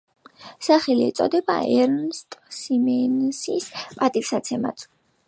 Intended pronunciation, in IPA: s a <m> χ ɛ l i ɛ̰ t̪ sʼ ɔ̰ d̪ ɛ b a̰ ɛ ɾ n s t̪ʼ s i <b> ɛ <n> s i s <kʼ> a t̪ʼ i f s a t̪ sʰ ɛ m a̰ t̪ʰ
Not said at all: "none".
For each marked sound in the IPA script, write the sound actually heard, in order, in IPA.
none, m, n, pʼ

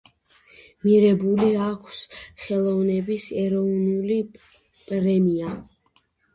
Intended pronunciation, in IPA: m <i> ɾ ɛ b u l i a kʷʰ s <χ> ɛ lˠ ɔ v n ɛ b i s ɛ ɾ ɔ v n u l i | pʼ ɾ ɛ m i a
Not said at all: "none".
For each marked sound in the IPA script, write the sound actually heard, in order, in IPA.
i, χ

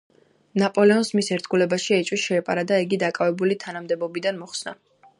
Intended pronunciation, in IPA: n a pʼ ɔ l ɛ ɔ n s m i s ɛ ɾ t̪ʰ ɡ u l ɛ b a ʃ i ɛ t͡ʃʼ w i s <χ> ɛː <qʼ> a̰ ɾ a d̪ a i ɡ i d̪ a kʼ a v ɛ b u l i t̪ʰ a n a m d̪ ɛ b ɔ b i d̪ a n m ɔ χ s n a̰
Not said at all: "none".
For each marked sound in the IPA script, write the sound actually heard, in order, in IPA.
ʃ, pʼ

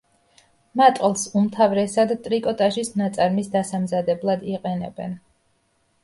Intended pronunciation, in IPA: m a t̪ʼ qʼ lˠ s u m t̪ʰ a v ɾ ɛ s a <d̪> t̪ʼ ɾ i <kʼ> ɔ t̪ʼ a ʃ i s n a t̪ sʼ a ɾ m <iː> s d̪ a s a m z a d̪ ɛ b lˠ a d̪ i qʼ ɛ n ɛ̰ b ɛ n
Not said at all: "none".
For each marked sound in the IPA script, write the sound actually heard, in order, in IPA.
d̪, kʼ, i

